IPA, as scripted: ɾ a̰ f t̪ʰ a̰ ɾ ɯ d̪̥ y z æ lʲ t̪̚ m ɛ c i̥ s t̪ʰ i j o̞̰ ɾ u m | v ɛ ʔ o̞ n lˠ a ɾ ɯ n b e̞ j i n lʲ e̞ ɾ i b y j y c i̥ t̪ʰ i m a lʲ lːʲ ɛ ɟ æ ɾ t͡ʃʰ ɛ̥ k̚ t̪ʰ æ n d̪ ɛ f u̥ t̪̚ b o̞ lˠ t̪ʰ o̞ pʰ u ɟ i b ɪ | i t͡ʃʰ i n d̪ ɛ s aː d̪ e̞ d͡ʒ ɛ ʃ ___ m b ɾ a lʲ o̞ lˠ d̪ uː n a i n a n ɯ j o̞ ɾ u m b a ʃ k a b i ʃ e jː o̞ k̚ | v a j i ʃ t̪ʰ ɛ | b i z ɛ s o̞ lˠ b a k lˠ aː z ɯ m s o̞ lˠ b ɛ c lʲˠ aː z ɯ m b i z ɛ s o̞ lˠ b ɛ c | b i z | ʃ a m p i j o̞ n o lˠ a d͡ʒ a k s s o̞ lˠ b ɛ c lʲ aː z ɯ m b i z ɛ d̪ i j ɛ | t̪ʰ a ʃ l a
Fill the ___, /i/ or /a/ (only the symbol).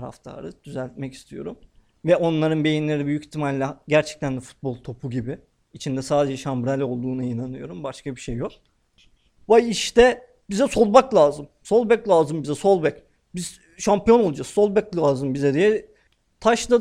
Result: a